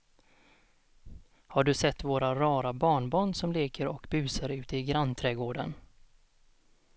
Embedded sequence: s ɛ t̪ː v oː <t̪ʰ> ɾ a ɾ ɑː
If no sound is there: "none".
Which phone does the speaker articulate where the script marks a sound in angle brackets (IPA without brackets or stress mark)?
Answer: none